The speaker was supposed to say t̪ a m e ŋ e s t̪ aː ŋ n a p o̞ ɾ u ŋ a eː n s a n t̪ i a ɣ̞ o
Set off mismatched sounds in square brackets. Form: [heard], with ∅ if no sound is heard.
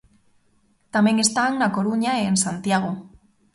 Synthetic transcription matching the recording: t̪ a m e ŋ e s t̪ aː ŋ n a [k] o̞ ɾ u [ɲ] a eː n s a n t̪ i a ɣ̞ o

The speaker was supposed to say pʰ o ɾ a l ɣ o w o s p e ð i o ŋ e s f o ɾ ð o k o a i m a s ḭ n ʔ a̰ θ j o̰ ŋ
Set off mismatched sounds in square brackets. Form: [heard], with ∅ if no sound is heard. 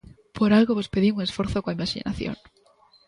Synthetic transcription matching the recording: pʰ o ɾ a l ɣ o [β] o s p e ð i [u] ŋ e s f o ɾ [θ] o k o a i m a [ʃ] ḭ n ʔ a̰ θ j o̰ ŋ

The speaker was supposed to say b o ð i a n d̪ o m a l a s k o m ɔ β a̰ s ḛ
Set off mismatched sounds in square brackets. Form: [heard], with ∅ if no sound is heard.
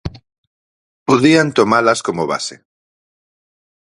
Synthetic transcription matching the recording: [p] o ð i a n [t̪] o m a l a s k o m [o] β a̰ s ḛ

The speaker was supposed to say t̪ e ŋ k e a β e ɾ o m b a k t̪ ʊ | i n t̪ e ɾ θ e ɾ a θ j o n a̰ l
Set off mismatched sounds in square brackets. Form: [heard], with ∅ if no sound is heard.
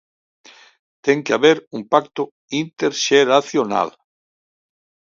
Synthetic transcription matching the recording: t̪ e ŋ k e a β e ɾ [u] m [p] a k t̪ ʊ | i n t̪ e ɾ [ʃ] e ɾ a θ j o n a̰ l

